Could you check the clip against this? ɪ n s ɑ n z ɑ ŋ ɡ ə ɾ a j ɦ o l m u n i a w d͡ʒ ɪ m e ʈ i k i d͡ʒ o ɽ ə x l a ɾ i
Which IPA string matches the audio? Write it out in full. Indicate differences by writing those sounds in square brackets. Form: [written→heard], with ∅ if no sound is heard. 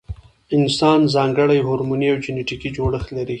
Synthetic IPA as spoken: ɪ n s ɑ n z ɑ ŋ ɡ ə [ɾ→ɽ] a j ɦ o [l→ɾ] m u n i a w d͡ʒ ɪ [m→n] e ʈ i k i d͡ʒ o ɽ ə x l a ɾ i